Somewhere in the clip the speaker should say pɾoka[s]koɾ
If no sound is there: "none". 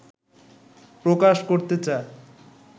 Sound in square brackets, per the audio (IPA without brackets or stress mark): ʃ